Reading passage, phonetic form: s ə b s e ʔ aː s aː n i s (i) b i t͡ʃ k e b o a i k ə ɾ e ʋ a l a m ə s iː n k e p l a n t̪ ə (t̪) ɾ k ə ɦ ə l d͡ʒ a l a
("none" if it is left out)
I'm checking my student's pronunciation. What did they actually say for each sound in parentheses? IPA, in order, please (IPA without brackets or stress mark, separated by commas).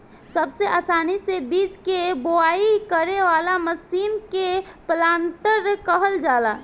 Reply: e, none